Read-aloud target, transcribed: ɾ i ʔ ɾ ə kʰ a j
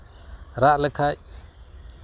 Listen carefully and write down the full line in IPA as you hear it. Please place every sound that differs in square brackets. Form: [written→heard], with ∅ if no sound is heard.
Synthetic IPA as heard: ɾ [i→a] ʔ [ɾ→l] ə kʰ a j